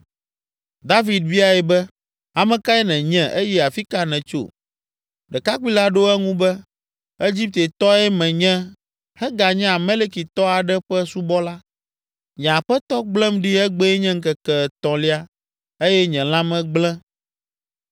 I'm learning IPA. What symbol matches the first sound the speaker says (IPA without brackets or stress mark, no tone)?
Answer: d̪